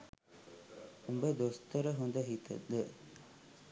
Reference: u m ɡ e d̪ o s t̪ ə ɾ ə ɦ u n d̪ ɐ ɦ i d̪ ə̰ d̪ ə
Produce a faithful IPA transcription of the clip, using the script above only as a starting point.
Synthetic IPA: u m b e d̪ o s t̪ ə ɾ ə ɦ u n d̪ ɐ ɦ i t̪ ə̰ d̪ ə